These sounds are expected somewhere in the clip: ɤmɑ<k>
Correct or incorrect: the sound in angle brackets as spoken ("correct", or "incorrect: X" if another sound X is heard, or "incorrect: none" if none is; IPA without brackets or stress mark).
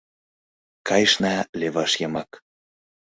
correct